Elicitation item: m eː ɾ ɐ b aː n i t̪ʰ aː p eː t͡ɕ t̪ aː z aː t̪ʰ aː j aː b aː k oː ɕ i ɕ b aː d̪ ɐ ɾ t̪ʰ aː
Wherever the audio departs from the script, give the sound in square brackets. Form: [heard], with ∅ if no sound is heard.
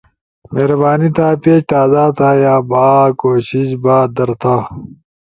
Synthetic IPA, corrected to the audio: m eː ɾ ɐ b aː n i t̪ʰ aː p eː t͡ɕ t̪ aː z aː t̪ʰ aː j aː b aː k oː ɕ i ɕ b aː d̪ ɐ ɾ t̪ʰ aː